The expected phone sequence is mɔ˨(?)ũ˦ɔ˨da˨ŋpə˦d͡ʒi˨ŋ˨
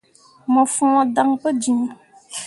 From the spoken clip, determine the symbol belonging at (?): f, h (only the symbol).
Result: f